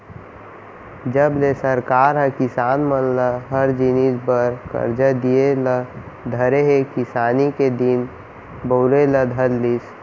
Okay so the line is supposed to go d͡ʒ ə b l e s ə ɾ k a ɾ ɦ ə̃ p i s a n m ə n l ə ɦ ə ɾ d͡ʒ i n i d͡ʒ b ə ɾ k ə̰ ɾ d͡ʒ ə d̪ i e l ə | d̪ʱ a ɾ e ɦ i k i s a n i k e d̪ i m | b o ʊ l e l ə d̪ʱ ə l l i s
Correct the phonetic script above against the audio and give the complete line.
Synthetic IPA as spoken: d͡ʒ ə b l e s ə ɾ k a ɾ ɦ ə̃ k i s a n m ə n l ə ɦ ə ɾ d͡ʒ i n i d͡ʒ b ə ɾ k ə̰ ɾ d͡ʒ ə d̪ i e l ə | d̪ʱ ə ɾ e ɦ e k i s a n i k e d̪ i n | b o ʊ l e l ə d̪ʱ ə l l i s